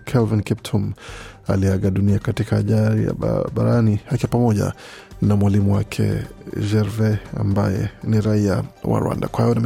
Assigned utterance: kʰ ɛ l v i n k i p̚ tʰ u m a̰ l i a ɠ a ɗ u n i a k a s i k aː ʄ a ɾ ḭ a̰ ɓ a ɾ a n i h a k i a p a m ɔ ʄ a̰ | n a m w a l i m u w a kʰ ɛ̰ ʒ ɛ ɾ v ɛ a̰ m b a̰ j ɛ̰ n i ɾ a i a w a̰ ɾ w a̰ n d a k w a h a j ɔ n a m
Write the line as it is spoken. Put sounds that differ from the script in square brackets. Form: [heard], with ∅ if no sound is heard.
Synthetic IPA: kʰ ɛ l v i n k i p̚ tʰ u m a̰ l i a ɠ a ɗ u n i a k a [t] i k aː ʄ a ɾ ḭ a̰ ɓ a ɾ a n i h a k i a p a m ɔ ʄ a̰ | n a m w a l i m u w a kʰ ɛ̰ ʒ ɛ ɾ v ɛ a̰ m b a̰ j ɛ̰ n i ɾ a i a w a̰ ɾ w a̰ n d a k w a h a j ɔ n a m